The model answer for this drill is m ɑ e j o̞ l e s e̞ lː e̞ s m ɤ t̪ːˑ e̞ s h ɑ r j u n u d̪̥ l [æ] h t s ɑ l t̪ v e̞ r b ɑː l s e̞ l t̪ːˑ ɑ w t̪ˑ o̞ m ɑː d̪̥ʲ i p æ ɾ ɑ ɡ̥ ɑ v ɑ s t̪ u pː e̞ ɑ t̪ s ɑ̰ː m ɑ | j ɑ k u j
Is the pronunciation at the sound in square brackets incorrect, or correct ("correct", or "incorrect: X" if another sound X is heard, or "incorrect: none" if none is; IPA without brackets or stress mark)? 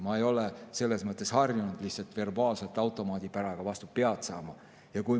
incorrect: i